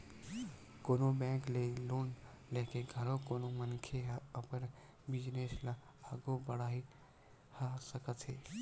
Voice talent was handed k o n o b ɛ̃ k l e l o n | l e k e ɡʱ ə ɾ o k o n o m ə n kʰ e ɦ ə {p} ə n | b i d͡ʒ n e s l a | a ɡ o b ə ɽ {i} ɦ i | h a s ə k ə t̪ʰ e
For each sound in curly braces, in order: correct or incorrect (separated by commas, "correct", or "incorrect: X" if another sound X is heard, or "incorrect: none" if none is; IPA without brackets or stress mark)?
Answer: correct, incorrect: a